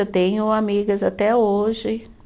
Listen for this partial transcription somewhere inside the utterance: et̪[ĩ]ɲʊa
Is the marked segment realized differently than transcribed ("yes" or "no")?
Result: yes